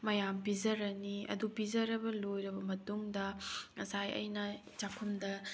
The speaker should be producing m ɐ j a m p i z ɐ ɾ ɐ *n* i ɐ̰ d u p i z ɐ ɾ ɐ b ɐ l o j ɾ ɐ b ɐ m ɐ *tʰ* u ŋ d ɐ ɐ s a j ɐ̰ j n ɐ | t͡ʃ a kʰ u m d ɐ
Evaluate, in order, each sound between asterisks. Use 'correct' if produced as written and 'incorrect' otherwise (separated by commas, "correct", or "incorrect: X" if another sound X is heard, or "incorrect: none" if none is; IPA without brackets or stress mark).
correct, incorrect: t